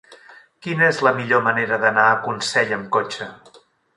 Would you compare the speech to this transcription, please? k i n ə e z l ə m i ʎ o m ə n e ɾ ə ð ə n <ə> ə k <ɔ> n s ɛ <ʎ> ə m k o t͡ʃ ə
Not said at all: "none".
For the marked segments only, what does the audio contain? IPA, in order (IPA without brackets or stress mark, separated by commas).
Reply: a, u, ʎ